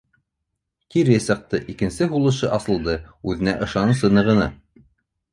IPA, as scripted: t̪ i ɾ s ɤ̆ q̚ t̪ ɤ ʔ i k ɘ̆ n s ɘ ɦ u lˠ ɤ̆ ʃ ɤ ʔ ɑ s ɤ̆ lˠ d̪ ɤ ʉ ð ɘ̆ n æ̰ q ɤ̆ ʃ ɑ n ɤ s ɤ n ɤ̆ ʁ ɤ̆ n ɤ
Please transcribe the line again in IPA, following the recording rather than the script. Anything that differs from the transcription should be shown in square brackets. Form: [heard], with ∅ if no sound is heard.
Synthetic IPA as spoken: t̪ i ɾ s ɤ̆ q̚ t̪ ɤ ʔ i k ɘ̆ n s ɘ ɦ u lˠ ɤ̆ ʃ ɤ ʔ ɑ s ɤ̆ lˠ d̪ ɤ ʉ ð ɘ̆ n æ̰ [ʔ] ɤ̆ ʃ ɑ n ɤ s ɤ n ɤ̆ ʁ ɤ̆ n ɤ